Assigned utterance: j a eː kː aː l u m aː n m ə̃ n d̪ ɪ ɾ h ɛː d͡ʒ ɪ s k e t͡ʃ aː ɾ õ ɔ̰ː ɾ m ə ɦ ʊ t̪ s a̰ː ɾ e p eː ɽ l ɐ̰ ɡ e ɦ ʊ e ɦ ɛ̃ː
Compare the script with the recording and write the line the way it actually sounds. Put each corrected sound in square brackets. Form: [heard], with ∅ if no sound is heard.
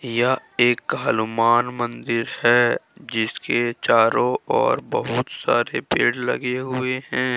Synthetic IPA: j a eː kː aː l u m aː n m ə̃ n d̪ ɪ ɾ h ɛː d͡ʒ ɪ s k e t͡ʃ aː ɾ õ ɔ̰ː ɾ [b] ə ɦ ʊ t̪ s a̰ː ɾ e p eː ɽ l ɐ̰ ɡ e ɦ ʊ e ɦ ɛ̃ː